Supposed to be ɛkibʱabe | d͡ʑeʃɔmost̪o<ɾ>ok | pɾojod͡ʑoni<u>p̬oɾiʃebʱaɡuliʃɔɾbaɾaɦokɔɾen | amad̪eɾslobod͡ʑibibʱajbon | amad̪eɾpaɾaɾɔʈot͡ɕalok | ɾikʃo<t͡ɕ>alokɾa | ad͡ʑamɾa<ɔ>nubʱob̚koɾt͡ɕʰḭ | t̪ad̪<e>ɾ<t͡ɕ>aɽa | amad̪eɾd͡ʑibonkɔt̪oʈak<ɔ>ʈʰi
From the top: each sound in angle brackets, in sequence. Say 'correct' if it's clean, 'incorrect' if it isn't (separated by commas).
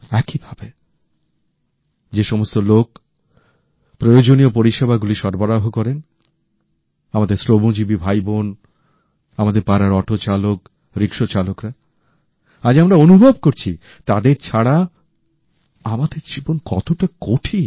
incorrect, incorrect, correct, incorrect, correct, incorrect, incorrect